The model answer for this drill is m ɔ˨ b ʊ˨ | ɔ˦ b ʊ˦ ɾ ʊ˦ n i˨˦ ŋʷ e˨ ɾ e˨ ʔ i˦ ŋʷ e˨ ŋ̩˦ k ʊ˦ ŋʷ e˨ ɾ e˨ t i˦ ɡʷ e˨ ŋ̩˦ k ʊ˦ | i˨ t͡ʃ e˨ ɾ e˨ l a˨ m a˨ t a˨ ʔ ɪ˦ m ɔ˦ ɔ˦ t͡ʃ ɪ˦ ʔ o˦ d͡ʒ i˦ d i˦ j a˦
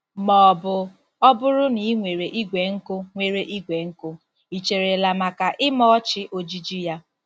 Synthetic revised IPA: m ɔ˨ b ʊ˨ | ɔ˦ b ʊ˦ ɾ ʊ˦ n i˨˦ ŋʷ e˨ ɾ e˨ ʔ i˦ ɡʷ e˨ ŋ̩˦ k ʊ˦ ŋʷ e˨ ɾ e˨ ʔ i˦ ɡʷ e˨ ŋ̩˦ k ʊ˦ | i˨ t͡ʃ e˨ ɾ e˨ l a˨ m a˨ k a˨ ʔ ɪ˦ m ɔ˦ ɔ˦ t͡ʃ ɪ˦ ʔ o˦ d͡ʒ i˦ d͡ʒ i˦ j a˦

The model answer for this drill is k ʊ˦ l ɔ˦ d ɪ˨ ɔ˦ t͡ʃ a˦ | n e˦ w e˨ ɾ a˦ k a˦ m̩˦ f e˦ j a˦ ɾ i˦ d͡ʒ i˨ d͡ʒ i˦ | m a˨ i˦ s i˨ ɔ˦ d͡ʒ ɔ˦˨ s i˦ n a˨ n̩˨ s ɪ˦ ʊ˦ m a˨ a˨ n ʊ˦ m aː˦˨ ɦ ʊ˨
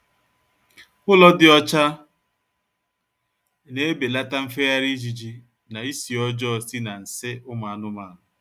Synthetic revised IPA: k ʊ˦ l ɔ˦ d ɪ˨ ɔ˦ t͡ʃ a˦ | n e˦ b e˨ l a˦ t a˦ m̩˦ f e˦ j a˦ ɾ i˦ d͡ʒ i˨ d͡ʒ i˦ | n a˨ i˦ s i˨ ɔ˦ d͡ʒ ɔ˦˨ s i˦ n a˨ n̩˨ s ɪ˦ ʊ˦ m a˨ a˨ n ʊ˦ m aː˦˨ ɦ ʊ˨

